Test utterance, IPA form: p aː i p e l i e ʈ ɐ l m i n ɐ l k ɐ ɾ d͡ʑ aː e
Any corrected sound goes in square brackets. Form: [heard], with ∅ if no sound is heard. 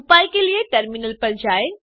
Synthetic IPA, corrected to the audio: p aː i [k] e l i e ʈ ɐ [ɾ] m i n [ə] l [p] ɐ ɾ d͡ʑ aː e